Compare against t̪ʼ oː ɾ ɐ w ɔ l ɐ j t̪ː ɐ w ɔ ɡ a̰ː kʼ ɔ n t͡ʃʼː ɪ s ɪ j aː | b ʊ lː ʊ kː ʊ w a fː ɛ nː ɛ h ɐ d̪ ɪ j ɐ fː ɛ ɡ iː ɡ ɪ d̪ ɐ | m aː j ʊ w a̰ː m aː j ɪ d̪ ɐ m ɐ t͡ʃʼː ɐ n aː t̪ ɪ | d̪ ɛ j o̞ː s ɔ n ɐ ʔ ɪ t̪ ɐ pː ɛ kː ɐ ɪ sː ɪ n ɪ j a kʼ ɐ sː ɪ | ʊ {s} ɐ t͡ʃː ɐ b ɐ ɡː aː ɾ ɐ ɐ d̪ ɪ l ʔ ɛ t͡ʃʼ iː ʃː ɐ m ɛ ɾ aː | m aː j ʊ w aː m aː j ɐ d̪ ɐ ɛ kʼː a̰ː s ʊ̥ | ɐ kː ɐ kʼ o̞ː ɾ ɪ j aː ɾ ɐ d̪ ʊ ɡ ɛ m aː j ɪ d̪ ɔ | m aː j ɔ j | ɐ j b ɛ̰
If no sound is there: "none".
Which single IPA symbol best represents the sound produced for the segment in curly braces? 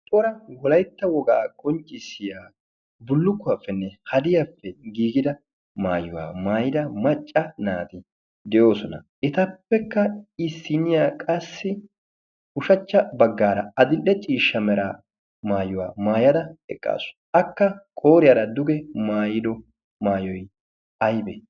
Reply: ʃ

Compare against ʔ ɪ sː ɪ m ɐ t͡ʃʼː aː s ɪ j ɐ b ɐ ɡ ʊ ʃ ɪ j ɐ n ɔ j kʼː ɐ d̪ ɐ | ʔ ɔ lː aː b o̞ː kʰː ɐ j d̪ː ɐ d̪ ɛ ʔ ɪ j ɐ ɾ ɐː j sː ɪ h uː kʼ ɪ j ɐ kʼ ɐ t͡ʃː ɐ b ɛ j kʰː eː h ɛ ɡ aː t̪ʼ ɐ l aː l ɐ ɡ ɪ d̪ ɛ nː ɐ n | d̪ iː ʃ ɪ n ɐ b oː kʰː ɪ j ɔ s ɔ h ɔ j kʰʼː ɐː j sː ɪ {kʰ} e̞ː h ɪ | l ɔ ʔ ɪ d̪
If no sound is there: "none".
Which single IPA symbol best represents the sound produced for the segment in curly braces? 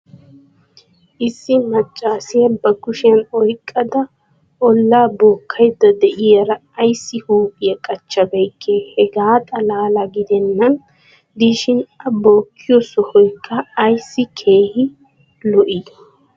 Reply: kʰ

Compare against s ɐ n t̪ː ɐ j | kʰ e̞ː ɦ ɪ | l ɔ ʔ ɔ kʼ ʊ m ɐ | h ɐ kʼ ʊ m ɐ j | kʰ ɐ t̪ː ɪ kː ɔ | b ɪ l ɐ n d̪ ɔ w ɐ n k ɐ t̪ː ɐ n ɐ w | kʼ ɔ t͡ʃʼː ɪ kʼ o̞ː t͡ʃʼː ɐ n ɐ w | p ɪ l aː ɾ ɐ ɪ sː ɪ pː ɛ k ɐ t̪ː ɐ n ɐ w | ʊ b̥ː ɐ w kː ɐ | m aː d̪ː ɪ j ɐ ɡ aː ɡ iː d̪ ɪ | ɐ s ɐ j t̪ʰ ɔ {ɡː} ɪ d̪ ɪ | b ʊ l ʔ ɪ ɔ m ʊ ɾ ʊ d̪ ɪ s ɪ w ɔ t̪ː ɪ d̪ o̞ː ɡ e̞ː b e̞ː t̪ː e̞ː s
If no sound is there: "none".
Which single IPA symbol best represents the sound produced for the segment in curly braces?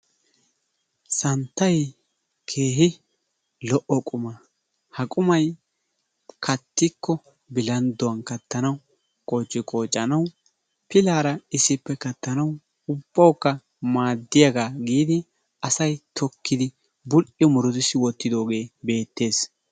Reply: kː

